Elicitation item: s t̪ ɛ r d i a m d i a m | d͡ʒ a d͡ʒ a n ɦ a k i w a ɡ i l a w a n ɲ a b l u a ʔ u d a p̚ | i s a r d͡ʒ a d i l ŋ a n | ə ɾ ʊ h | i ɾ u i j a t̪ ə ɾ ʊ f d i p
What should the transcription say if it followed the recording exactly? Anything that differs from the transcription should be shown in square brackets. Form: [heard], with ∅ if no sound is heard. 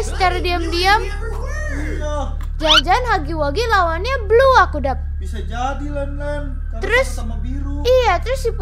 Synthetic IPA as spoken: s t̪ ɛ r d i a m d i a m | d͡ʒ a d͡ʒ a n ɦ a [ɡ] i w a ɡ i l a w a n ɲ a b l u a [k] u d a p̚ | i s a [∅] d͡ʒ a d i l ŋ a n | ə ɾ ʊ [s] | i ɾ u i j a t̪ ə ɾ ʊ [s] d i p